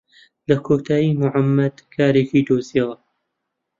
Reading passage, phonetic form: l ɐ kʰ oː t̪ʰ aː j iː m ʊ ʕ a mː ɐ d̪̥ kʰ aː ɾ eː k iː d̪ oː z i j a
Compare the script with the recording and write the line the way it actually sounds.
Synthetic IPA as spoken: l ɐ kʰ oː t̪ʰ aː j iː m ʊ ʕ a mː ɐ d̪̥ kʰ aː ɾ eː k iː d̪ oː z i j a

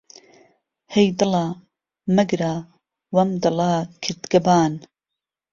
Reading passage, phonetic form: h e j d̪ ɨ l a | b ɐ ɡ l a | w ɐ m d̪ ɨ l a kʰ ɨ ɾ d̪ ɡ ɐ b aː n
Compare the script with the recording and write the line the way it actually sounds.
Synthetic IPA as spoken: h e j d̪ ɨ l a | m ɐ ɡ ɾ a | w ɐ m d̪ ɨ l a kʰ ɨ ɾ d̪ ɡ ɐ b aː n

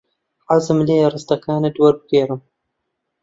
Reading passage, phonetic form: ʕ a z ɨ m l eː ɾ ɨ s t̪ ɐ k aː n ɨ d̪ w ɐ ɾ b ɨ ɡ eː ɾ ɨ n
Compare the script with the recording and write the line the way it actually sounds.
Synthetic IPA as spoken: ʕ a z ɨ m l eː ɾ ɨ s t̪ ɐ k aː n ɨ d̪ w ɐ ɾ b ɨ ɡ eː ɾ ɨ m

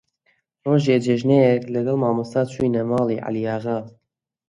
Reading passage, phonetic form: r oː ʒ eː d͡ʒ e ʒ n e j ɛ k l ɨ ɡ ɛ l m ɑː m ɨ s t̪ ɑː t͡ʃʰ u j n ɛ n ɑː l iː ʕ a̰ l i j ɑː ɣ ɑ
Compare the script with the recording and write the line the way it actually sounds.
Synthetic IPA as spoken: r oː ʒ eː d͡ʒ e ʒ n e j ɛ k l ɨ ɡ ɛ l m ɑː m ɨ s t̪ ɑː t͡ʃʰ u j n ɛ m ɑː l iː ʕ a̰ l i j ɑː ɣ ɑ

